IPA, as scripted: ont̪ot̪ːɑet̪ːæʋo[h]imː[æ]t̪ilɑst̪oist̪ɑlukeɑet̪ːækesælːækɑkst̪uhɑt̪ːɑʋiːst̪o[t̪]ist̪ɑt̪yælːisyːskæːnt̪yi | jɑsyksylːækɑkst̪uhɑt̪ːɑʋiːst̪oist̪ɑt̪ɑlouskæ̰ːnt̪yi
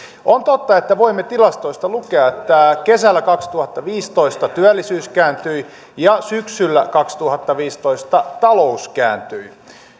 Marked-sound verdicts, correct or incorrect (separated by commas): incorrect, incorrect, incorrect